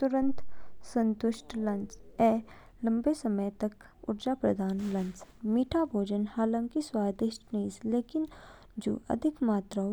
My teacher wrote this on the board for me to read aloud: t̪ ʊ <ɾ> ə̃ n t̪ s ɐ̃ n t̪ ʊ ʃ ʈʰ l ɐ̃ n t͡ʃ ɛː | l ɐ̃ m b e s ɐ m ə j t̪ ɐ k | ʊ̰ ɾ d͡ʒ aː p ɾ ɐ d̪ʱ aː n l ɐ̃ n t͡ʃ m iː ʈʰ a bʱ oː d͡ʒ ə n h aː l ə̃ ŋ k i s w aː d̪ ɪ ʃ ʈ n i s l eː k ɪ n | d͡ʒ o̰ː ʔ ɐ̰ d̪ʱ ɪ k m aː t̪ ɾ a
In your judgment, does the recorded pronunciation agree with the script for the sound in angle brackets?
yes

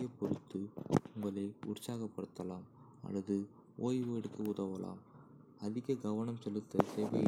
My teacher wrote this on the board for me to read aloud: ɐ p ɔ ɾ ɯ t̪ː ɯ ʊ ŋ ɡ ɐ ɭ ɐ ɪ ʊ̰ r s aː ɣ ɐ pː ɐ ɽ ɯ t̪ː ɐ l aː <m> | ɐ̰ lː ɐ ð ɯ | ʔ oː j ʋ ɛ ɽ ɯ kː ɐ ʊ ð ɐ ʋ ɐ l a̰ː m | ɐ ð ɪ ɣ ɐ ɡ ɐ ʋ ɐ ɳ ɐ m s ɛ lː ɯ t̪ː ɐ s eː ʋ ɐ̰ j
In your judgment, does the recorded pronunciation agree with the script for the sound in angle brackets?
yes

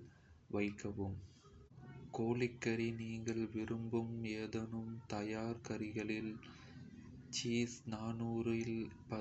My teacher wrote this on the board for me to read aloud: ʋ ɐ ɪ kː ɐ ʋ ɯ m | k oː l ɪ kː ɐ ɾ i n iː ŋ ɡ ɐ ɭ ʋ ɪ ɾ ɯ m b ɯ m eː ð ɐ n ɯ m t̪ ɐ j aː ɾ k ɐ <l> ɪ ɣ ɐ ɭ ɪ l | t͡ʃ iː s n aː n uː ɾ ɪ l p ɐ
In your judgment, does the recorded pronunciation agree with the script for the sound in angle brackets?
no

